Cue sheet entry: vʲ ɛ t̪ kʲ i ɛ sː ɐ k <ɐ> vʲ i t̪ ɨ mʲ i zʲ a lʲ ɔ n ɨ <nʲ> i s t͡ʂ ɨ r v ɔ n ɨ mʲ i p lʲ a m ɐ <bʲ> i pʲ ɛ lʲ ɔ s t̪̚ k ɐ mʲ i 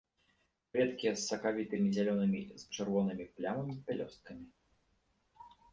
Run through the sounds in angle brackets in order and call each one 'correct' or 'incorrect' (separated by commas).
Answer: incorrect, incorrect, incorrect